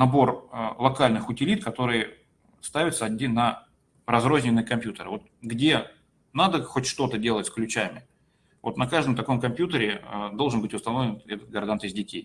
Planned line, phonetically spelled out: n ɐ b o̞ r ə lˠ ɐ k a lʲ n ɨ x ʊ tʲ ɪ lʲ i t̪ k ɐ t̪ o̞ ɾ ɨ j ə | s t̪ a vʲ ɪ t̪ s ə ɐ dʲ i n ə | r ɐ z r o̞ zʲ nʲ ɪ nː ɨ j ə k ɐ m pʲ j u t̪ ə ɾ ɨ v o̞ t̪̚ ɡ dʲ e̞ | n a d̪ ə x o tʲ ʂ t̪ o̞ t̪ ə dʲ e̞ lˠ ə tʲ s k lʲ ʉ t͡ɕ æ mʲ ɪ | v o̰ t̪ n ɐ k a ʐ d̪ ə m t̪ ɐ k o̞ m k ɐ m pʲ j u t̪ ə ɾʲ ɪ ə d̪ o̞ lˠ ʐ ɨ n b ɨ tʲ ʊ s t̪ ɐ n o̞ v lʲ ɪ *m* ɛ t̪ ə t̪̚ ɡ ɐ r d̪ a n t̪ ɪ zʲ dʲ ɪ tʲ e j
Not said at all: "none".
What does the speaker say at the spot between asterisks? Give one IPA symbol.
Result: n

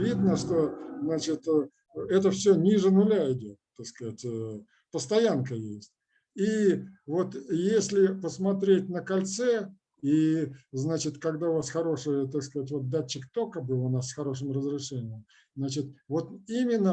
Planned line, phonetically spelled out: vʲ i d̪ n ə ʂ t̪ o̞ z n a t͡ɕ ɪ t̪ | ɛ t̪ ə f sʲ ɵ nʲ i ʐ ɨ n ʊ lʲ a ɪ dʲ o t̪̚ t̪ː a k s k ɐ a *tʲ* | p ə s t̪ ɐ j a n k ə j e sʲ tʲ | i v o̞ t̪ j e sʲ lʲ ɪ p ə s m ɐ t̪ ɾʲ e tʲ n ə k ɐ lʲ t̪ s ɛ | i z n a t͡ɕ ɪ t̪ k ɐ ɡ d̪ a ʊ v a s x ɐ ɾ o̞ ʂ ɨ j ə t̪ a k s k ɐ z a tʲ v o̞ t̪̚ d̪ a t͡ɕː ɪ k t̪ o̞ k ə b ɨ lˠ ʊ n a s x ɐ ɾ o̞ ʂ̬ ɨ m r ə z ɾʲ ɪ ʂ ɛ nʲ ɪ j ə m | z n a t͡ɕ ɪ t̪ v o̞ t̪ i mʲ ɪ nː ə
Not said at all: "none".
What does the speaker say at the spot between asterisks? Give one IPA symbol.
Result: tʲ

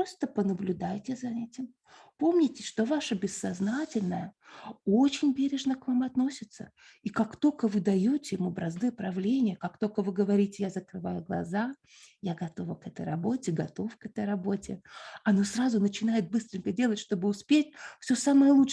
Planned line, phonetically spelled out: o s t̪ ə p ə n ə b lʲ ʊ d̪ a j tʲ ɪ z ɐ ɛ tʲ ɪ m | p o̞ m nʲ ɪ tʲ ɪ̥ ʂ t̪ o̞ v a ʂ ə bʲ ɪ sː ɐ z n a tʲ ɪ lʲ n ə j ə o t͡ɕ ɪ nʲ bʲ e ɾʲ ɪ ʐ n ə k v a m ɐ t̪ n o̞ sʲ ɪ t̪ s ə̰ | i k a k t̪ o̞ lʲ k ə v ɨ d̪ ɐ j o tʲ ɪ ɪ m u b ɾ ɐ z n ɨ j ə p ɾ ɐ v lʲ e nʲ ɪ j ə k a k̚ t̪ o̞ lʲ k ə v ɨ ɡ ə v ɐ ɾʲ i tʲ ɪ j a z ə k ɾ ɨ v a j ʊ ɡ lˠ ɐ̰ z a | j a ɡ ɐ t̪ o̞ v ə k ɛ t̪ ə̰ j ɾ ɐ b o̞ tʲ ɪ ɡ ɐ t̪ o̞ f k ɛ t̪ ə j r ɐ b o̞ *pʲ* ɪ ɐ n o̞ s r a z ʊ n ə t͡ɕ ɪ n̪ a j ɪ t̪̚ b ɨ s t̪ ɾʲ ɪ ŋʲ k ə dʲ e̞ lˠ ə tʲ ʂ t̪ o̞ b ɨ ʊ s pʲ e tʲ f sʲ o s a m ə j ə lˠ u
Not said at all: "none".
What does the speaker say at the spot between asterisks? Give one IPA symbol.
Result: tʲ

